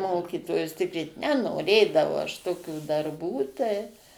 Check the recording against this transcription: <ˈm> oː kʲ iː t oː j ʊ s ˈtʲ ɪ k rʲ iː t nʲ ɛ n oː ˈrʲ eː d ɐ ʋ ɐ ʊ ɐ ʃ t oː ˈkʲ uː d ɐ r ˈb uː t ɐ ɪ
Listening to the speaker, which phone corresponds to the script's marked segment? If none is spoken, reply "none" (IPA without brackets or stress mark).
m